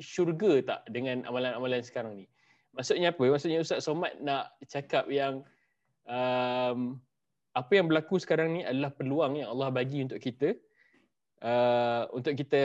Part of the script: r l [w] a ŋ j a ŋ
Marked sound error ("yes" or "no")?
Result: yes